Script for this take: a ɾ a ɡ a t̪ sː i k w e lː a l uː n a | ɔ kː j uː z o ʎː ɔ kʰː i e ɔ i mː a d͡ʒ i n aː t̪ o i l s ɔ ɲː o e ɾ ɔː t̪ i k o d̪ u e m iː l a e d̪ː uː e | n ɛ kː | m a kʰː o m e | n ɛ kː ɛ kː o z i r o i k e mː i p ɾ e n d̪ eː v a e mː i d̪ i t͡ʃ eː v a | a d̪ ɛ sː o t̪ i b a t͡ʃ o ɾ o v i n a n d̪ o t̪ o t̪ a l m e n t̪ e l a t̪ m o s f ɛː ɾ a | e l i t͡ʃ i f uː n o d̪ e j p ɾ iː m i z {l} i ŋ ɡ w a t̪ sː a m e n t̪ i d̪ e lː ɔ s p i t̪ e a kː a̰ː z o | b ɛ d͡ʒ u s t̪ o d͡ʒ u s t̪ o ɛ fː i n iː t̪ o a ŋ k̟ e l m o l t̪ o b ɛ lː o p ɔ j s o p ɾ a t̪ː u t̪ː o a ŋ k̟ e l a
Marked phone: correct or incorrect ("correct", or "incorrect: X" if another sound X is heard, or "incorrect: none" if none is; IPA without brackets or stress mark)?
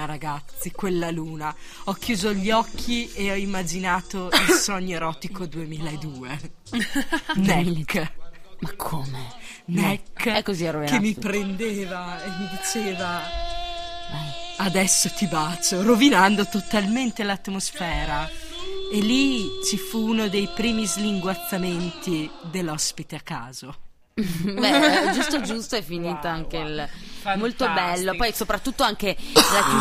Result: correct